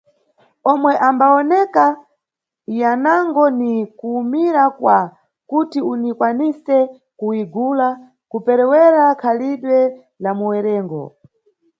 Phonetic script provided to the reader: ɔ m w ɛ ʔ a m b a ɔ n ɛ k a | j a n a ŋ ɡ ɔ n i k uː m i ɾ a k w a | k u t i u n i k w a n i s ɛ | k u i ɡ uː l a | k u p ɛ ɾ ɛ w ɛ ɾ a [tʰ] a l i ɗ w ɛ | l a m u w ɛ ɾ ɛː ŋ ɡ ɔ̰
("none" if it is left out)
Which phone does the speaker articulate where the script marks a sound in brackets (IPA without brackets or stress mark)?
kʰ